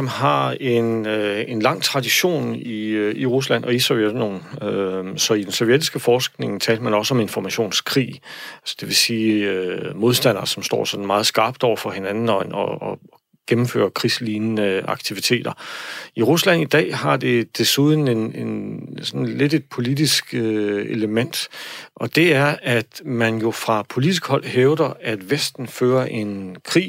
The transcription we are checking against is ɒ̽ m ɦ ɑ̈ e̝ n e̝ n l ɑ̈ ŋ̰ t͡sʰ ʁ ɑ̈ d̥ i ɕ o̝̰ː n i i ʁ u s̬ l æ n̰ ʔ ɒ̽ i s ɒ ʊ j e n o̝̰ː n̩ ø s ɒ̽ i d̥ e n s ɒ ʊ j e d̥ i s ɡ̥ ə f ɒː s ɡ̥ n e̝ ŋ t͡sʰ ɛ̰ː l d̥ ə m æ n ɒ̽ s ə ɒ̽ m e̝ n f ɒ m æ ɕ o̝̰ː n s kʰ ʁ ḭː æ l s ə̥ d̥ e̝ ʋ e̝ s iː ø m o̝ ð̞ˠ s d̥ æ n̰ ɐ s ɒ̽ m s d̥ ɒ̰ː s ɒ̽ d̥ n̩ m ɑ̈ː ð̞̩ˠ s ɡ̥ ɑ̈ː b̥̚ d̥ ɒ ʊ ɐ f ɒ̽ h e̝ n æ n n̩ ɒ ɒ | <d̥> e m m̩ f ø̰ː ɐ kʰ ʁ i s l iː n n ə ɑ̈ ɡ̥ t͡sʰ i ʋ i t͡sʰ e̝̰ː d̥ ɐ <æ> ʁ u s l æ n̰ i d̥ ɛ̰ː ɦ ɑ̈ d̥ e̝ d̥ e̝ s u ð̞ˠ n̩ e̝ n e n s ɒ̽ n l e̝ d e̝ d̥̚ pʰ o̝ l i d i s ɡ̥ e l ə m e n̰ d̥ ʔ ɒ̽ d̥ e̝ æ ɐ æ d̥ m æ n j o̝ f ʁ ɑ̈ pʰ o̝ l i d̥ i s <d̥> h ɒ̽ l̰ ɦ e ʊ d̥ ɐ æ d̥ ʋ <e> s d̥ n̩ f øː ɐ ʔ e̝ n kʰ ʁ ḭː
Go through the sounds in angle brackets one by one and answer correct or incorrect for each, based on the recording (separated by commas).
incorrect, incorrect, incorrect, correct